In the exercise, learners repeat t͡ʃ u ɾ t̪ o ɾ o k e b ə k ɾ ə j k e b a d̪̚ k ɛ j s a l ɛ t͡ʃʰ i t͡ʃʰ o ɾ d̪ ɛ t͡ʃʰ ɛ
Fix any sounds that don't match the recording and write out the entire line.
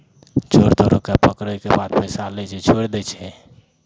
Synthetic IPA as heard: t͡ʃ o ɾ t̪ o ɾ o k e p ə k ɾ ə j k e b a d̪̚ p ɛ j s a l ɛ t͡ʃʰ ɛ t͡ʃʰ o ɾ d̪ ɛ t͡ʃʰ ɛ